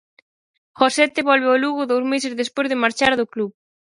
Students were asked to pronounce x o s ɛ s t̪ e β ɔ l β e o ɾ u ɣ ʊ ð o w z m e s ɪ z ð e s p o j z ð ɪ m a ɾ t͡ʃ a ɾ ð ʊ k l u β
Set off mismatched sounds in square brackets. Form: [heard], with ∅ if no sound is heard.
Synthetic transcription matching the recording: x o s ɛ [∅] t̪ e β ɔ l β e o [l] u ɣ ʊ ð o w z m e s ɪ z ð e s p o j z ð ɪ m a ɾ t͡ʃ a ɾ ð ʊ k l u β